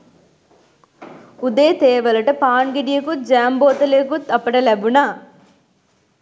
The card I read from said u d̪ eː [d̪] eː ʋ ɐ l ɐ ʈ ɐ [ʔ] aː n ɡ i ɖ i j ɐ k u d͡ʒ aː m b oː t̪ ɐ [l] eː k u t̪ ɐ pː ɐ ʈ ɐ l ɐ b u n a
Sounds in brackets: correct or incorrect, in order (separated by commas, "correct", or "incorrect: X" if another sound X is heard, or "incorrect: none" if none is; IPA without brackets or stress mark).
incorrect: t̪, incorrect: p, correct